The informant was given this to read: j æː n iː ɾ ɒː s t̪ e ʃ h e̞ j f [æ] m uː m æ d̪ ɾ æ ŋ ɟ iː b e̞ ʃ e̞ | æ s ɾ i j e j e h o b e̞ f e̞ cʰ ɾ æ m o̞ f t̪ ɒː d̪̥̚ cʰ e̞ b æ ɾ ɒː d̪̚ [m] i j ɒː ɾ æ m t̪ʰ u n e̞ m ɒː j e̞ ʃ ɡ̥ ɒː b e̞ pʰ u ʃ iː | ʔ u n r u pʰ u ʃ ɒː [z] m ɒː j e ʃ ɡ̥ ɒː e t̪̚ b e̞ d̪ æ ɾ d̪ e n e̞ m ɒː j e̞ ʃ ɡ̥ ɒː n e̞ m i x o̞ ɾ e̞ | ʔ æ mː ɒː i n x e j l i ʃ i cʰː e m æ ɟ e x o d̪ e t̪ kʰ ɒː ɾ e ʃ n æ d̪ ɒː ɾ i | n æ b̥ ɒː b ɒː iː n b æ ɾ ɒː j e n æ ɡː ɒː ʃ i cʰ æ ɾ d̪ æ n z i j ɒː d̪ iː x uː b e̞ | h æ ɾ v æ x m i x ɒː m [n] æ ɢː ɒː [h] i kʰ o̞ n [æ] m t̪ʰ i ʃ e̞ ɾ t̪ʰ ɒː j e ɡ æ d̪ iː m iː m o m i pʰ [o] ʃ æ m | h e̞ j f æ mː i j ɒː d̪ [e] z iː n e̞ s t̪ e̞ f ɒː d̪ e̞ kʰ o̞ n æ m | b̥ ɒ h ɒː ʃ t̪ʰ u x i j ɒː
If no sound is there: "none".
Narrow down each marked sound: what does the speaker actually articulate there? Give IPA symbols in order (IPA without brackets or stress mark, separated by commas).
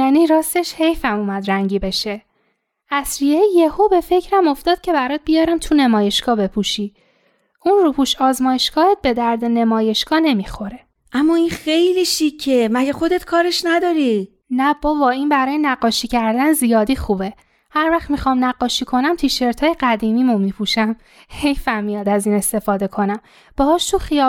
æ, b, z, n, ʃ, æ, u, æ